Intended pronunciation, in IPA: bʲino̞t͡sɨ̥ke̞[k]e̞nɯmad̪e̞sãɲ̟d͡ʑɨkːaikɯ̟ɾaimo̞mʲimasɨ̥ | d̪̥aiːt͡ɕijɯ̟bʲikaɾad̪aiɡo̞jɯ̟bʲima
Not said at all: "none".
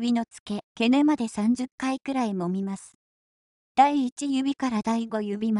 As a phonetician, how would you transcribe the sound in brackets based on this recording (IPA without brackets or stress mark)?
k